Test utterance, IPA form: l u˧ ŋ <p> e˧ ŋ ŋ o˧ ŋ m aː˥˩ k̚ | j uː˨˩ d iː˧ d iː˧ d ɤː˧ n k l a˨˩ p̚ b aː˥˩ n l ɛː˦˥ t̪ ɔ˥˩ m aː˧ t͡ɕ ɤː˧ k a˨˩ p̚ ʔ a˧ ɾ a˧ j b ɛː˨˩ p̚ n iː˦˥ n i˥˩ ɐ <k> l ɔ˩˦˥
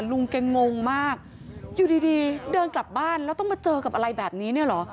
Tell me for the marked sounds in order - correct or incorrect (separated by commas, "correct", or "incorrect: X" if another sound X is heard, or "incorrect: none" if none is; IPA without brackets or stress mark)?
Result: incorrect: k, incorrect: none